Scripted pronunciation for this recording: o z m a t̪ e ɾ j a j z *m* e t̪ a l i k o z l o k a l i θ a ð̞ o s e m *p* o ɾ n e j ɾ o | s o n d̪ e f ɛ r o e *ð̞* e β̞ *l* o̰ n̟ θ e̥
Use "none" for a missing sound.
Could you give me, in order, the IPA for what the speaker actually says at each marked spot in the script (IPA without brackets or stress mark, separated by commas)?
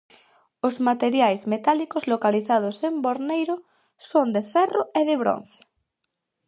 m, b, ð̞, ɾ